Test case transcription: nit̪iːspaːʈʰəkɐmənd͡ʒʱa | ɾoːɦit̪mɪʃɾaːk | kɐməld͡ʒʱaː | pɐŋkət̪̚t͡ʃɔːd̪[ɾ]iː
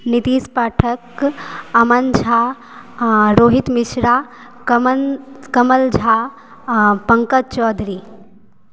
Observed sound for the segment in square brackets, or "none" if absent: ɾ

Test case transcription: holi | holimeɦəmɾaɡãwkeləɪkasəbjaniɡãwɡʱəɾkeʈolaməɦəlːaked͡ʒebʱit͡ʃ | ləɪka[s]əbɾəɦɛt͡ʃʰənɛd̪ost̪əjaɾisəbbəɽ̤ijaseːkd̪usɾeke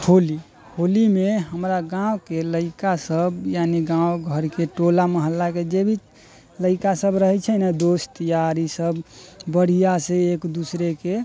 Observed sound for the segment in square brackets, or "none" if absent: s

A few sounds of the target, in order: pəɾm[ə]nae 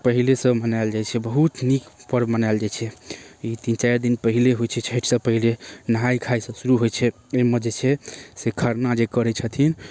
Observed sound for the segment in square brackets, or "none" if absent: ə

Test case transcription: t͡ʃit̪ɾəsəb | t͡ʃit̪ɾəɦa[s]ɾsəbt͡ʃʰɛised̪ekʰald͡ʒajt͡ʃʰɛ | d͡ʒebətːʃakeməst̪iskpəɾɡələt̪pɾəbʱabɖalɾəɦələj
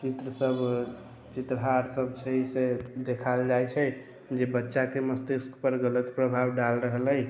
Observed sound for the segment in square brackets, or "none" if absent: none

